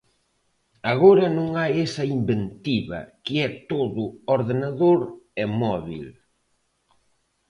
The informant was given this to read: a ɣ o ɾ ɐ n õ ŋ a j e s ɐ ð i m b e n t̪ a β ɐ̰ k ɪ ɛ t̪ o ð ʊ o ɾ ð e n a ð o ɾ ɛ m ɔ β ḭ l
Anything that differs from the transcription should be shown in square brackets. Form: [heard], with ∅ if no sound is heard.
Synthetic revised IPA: a ɣ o ɾ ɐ n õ ŋ a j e s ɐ [∅] i m b e n t̪ [i] β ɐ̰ k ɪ ɛ t̪ o ð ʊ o ɾ ð e n a ð o ɾ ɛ m ɔ β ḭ l